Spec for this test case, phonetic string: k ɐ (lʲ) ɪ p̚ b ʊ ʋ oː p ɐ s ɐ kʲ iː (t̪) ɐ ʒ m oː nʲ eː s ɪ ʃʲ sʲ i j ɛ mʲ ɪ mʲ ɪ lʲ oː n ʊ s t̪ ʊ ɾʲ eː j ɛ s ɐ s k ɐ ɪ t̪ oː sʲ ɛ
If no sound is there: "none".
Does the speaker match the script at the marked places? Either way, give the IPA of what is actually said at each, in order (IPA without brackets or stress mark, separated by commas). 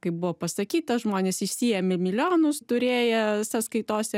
none, t̪